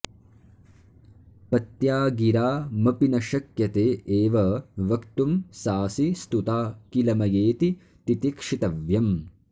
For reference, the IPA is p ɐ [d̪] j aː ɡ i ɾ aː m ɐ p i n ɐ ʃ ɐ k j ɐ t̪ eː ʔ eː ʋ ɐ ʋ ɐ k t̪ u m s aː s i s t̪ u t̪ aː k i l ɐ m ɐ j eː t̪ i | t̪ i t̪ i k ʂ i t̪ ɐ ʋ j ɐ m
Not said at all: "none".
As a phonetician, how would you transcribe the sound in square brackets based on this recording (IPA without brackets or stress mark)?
t̪